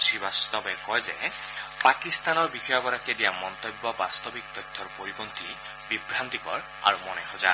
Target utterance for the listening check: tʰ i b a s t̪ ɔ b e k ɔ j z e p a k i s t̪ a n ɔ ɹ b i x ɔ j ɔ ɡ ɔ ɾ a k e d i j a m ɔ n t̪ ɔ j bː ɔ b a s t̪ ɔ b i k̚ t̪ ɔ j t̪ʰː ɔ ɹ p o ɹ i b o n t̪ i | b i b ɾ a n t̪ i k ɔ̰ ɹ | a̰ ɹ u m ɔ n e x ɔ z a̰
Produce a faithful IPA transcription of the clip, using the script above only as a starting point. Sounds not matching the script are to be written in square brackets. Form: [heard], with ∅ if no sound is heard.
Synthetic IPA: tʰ i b a s t̪ ɔ b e k ɔ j z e p a k i s t̪ a n ɔ ɹ b i x ɔ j ɔ ɡ ɔ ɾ a k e d i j a m ɔ n t̪ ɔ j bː ɔ b a s t̪ ɔ b i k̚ t̪ ɔ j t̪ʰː ɔ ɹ p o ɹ i b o n t̪ i | b i b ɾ a n t̪ i k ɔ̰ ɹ | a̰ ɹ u m ɔ n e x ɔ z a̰